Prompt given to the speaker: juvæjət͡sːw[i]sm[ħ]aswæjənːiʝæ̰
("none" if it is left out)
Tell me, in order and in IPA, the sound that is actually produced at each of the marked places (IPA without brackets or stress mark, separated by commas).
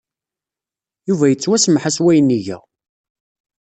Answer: æ, ħ